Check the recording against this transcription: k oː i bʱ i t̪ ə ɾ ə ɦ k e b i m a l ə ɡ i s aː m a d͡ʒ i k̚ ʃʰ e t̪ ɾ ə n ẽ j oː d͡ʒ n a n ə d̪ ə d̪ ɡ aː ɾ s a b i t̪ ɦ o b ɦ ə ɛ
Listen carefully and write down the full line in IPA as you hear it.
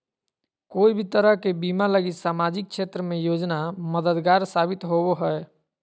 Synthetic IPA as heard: k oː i bʱ i t̪ ə ɾ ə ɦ k e b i m a l ə ɡ i s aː m a d͡ʒ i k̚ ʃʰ e t̪ ɾ ə m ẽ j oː d͡ʒ n a m ə d̪ ə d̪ ɡ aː ɾ s a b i t̪ ɦ o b ɦ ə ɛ